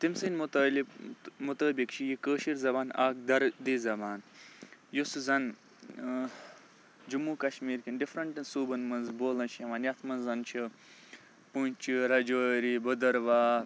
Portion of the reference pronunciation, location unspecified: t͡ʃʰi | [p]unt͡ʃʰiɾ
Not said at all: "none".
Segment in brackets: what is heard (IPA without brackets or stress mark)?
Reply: p